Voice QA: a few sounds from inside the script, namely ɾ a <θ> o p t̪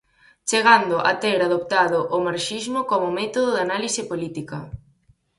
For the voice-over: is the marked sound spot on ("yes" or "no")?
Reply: no